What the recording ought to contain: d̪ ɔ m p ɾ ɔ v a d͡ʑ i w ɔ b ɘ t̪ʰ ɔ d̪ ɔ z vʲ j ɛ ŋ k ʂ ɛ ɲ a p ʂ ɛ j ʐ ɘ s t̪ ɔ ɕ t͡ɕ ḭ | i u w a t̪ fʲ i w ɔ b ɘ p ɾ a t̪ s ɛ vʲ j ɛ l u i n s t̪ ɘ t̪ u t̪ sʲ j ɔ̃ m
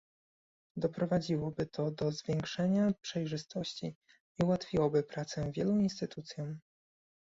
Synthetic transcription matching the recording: d̪ ɔ p ɾ ɔ v a d͡ʑ i w ɔ b ɘ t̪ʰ ɔ d̪ ɔ z vʲ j ɛ ŋ k ʂ ɛ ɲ a p ʂ ɛ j ʐ ɘ s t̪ ɔ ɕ t͡ɕ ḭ | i u w a t̪ fʲ i w ɔ b ɘ p ɾ a t̪ s ɛ vʲ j ɛ l u i n s t̪ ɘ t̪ u t̪ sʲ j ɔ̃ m